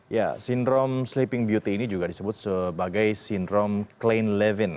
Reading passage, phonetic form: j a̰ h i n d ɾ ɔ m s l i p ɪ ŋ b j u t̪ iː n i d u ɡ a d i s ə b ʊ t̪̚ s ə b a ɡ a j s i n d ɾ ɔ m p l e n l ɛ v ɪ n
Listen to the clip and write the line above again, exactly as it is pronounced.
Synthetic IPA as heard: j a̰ s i n d ɾ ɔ m s l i p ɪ ŋ b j u t̪ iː n i d͡ʒ u ɡ a d i s ə b ʊ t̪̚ s ə b a ɡ a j s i n d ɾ ɔ m k l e n l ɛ v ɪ n